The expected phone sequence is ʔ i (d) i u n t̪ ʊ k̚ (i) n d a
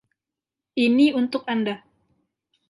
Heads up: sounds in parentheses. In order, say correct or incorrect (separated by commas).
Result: incorrect, incorrect